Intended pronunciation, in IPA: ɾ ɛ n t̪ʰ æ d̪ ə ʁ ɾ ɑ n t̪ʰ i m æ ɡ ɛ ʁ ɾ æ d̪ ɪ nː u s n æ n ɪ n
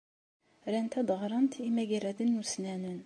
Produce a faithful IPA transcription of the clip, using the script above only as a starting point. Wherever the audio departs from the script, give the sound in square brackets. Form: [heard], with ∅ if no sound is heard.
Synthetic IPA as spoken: ɾ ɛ n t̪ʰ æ d̪ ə ʁ ɾ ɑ n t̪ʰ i m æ ɡ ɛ [∅] ɾ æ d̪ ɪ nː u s n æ n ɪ n